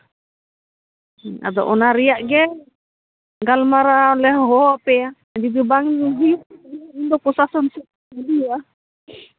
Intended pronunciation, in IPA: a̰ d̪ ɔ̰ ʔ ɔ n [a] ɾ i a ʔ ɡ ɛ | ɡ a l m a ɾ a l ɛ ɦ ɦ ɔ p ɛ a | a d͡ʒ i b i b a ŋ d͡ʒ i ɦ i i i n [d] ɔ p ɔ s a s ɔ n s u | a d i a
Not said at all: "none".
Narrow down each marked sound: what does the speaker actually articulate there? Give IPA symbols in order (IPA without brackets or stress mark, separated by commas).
a, d